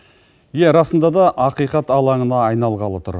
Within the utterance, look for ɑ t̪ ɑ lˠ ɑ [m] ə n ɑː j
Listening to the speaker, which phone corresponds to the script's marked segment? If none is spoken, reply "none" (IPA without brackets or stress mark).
ɴ